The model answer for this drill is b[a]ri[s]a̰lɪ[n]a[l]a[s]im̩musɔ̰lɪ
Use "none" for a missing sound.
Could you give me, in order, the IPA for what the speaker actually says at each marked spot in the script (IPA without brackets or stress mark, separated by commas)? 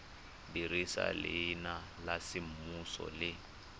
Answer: i, s, n, l, s